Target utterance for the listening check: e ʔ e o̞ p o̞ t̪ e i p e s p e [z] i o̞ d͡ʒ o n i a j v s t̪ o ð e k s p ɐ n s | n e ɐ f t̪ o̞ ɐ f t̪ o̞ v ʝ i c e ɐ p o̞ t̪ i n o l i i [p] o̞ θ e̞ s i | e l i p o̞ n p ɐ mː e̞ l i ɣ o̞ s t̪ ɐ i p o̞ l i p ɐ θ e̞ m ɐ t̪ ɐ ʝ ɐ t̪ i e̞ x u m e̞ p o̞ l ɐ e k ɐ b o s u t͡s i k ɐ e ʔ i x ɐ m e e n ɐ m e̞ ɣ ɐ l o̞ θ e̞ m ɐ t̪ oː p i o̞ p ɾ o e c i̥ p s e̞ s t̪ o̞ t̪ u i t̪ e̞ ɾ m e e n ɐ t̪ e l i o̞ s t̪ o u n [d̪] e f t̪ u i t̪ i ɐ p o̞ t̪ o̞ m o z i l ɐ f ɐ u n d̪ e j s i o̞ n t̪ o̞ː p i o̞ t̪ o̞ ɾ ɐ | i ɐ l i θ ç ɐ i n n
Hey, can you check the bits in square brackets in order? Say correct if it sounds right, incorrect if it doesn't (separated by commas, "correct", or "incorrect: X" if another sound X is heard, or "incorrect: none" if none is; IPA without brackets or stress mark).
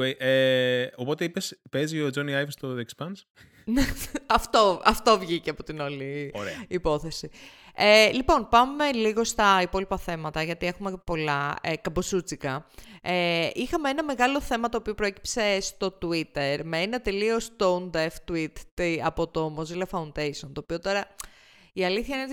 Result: correct, correct, correct